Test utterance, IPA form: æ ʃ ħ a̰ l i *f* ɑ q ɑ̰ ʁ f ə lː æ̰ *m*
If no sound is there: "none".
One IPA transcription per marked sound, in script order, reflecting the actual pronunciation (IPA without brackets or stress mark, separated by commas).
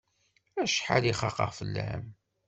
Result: χ, m